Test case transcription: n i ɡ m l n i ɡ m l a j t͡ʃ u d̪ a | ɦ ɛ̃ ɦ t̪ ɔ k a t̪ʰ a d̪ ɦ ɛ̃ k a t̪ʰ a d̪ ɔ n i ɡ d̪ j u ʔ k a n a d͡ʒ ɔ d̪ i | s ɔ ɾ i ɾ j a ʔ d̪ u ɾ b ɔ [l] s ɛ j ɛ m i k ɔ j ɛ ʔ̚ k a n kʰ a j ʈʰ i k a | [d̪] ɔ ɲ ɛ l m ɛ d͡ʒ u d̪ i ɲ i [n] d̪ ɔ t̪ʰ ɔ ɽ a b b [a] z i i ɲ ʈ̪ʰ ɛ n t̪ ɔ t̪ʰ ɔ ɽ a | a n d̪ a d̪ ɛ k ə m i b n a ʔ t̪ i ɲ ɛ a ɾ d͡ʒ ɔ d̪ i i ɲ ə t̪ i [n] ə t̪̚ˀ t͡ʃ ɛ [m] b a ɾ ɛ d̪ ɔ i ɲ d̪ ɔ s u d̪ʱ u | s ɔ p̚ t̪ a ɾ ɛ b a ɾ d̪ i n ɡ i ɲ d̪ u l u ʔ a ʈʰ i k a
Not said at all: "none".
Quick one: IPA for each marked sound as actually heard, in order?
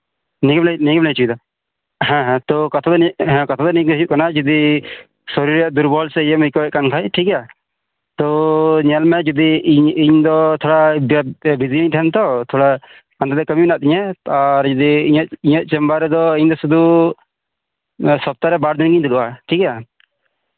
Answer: l, t̪, ɲ, i, ɲ, m

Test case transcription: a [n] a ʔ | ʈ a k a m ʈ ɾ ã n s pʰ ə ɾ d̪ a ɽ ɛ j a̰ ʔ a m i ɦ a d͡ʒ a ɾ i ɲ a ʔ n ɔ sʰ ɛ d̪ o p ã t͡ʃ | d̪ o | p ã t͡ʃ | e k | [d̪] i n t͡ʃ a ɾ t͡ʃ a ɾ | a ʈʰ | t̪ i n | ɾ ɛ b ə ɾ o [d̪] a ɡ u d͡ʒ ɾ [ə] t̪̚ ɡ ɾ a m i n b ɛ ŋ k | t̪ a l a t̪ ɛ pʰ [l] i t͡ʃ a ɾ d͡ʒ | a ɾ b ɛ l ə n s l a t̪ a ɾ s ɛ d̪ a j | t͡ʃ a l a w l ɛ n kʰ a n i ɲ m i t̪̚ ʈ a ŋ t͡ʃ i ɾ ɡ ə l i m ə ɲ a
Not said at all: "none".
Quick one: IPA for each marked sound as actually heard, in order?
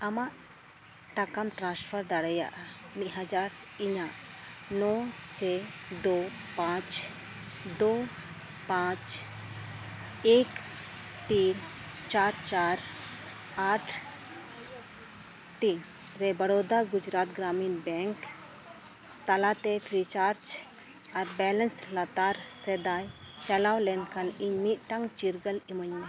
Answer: m, t̪, d̪, a, ɾ

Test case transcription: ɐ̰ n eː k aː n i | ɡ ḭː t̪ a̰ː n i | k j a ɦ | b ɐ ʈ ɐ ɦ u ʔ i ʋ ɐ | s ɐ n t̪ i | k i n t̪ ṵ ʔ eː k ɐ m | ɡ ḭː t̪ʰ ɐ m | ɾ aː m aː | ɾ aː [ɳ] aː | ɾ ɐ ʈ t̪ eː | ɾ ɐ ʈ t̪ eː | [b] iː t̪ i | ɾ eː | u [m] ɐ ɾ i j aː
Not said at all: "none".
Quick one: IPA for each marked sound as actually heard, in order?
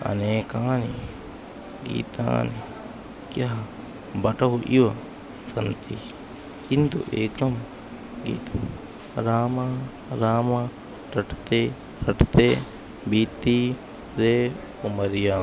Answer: m, b, m

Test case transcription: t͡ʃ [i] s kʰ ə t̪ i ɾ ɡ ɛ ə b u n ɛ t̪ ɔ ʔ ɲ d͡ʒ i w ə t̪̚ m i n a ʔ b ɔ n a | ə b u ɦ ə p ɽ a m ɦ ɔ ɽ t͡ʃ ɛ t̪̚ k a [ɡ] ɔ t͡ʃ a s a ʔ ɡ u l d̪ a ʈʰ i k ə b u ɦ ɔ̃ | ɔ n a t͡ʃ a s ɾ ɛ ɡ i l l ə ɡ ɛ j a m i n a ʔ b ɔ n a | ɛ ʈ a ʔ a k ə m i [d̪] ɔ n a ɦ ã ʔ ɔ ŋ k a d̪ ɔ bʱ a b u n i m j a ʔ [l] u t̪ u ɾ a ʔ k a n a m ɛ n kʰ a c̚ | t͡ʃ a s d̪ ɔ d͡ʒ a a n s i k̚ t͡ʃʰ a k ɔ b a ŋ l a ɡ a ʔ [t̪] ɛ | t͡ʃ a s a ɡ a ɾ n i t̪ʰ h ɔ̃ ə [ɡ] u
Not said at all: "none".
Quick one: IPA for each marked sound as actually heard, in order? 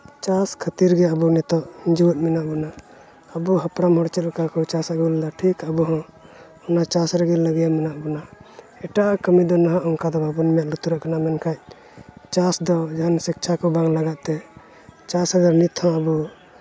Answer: a, k, d̪, l, t̪, b

